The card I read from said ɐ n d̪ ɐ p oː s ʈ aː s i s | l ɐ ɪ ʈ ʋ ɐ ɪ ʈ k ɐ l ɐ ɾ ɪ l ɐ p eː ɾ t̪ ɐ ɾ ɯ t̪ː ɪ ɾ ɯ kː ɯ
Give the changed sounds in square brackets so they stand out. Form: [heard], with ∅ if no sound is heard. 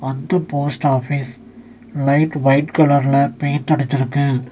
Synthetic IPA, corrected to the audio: ɐ n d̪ ɐ p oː s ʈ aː [f] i s | l ɐ ɪ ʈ ʋ ɐ ɪ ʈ k ɐ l ɐ ɾ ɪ l ɐ p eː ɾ t̪ ɐ [ɽ] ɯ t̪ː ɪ ɾ ɯ kː ɯ